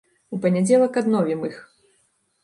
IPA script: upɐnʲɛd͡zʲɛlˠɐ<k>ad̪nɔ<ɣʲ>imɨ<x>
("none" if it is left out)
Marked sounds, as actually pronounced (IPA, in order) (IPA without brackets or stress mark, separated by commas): k, vʲ, x